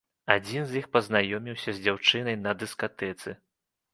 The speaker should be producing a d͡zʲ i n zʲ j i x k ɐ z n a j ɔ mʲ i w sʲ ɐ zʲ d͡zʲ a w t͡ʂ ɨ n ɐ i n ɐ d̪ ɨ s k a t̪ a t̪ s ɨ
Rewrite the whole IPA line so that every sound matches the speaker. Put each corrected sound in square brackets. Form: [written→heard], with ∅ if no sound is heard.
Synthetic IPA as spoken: a d͡zʲ i n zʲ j i x [k→p] ɐ z n a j ɔ mʲ i w sʲ ɐ zʲ d͡zʲ a w t͡ʂ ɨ n ɐ [i→j] n ɐ d̪ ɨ s k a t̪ [a→ɛ] t̪ s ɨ